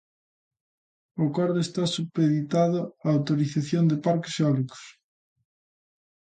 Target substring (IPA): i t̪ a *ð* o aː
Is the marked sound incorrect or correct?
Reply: correct